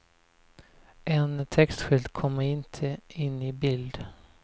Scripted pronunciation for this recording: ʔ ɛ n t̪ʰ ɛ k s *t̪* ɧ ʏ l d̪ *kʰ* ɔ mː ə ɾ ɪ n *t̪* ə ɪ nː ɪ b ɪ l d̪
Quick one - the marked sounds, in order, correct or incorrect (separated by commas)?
correct, correct, incorrect